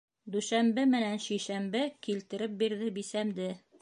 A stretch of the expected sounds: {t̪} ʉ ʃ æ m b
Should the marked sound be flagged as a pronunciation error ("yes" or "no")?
yes